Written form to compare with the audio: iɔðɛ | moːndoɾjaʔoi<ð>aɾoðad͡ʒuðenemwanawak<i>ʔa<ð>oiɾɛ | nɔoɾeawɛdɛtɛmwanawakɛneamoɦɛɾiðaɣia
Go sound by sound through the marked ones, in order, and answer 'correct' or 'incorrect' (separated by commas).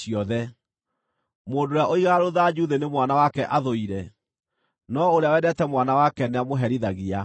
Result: incorrect, incorrect, correct